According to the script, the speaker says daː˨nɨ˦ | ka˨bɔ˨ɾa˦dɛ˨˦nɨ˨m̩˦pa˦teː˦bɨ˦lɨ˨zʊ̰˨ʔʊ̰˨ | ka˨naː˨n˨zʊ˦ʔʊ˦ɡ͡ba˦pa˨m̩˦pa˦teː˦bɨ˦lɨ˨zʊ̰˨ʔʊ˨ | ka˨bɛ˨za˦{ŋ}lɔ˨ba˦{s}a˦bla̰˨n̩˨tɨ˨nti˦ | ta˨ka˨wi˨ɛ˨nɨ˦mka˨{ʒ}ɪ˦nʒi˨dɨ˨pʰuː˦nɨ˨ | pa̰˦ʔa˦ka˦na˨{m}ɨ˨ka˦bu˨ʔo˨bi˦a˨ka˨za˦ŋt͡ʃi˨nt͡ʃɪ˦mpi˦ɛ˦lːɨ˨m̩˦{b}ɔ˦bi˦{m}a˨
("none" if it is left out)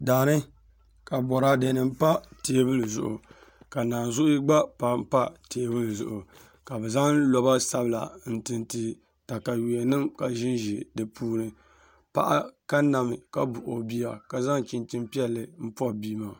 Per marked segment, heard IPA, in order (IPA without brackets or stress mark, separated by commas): ŋ, s, ʒ, m, p, m